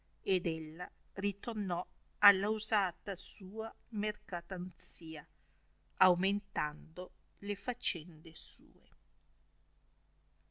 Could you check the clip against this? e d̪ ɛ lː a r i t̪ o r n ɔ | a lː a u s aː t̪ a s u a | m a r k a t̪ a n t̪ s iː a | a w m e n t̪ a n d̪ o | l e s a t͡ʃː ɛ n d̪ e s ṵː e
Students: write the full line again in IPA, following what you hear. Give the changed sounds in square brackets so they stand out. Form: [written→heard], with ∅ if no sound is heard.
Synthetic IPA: e d̪ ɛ lː a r i t̪ o r n ɔ | a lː a u [s→z] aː t̪ a s [u→uː] a | m [a→e] r k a t̪ a n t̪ s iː a | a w m e n t̪ a n d̪ o | l e [s→f] a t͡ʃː ɛ n d̪ e s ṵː e